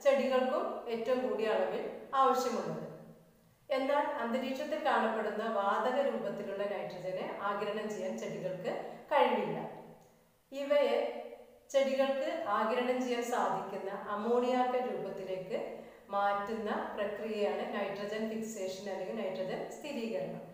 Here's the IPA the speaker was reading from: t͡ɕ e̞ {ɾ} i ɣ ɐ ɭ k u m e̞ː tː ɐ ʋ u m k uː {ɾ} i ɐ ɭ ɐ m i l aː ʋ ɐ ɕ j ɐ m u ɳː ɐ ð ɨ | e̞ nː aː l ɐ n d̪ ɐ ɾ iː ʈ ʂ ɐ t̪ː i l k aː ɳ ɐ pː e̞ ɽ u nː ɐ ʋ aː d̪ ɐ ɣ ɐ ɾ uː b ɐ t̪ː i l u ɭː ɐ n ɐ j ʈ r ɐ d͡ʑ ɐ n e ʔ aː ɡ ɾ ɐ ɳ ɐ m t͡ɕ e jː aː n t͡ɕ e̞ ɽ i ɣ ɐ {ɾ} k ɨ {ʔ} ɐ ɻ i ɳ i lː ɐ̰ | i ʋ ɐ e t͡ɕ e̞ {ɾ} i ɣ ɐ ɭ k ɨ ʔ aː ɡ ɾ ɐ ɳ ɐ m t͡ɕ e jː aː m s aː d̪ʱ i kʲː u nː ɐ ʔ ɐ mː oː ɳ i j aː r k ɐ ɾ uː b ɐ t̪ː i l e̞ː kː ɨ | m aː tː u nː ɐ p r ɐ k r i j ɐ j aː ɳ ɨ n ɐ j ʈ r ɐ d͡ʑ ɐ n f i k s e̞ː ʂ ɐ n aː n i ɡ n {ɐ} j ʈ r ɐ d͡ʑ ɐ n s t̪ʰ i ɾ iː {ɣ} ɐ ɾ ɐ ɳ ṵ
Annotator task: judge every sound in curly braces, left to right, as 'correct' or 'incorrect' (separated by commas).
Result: incorrect, incorrect, incorrect, incorrect, incorrect, correct, correct